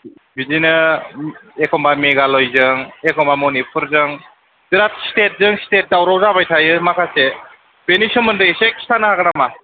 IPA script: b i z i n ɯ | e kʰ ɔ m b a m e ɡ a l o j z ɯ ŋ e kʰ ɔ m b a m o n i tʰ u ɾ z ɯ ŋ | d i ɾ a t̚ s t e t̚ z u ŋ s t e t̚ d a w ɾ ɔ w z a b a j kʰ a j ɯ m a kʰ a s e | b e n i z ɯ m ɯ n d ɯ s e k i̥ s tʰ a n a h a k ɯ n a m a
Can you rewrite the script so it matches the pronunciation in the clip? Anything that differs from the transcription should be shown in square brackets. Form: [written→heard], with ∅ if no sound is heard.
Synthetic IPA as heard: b i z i n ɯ | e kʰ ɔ m b a m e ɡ a l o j z ɯ ŋ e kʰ ɔ m b a m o n i [tʰ→pʰ] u ɾ z ɯ ŋ | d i ɾ a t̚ s t e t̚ z [u→ɯ] ŋ s t e t̚ d a w ɾ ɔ w z a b a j [kʰ→tʰ] a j ɯ m a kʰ a s e | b e n i [z→s] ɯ m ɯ n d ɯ s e k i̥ s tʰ a n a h a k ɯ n a m a